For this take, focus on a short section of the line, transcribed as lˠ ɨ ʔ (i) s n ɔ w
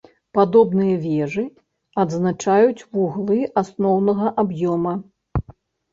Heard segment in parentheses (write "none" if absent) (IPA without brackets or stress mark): a